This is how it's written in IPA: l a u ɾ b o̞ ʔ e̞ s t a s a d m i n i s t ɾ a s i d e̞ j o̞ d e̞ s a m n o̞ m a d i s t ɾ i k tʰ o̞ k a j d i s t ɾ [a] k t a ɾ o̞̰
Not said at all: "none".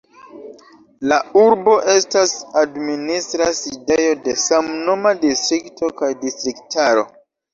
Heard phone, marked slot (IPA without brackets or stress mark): i